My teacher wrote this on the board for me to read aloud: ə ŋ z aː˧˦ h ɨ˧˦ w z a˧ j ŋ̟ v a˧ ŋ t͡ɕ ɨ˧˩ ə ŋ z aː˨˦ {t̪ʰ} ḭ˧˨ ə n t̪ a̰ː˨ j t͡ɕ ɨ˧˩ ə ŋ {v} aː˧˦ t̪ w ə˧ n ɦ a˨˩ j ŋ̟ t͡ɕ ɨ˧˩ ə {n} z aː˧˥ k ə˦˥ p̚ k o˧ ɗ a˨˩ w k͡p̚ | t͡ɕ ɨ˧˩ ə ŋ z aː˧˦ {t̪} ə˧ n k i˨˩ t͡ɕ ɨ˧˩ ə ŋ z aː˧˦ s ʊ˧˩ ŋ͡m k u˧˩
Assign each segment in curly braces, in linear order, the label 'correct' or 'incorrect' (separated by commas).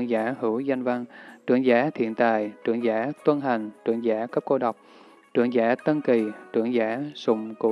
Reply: correct, incorrect, incorrect, correct